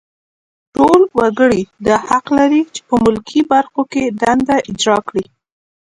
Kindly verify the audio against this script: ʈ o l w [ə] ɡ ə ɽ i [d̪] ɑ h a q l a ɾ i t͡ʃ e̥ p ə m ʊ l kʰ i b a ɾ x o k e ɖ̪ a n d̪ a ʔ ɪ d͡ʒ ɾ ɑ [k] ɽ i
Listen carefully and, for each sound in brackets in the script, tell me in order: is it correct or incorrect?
incorrect, correct, correct

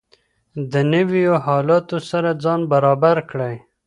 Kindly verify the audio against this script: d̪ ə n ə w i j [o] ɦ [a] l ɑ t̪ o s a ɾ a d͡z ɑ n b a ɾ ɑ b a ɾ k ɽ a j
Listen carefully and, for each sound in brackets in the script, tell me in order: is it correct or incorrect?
correct, incorrect

